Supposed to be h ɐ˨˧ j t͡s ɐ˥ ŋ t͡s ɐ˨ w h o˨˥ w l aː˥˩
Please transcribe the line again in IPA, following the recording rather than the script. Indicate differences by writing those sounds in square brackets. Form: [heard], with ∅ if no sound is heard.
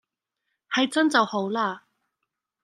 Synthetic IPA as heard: h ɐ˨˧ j t͡s ɐ˥ [n] t͡s ɐ˨ w h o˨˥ w l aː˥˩